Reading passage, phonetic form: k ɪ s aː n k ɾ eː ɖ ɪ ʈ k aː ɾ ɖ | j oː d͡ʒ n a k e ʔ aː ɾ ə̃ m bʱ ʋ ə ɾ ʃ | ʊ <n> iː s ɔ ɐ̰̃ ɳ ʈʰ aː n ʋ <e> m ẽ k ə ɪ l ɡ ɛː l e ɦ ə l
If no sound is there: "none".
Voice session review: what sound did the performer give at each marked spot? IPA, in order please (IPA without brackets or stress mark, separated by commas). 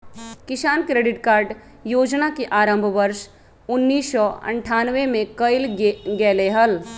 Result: nː, e